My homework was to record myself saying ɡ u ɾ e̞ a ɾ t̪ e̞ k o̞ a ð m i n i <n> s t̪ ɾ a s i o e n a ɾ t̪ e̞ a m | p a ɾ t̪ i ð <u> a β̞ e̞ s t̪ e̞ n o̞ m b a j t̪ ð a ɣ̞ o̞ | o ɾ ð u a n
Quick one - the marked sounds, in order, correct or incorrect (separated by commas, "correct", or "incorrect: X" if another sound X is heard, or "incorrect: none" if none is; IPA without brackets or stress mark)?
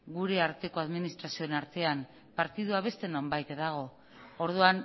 incorrect: none, correct